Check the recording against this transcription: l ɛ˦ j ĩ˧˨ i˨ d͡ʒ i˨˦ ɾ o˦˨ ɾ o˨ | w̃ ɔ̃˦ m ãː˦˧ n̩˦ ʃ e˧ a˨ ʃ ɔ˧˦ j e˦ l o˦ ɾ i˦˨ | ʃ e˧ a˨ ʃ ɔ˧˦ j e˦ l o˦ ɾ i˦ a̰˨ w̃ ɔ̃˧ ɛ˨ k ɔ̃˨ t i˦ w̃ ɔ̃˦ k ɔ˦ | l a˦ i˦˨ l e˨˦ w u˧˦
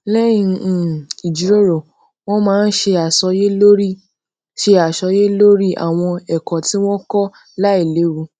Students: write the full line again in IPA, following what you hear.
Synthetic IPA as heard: l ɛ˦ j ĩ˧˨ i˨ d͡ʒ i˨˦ ɾ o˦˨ ɾ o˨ | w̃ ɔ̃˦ m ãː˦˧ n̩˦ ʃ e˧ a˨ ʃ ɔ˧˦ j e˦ l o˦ ɾ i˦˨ | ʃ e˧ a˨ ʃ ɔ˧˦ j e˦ l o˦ ɾ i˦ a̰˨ w̃ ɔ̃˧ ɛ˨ k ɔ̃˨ t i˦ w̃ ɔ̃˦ k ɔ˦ | l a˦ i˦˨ l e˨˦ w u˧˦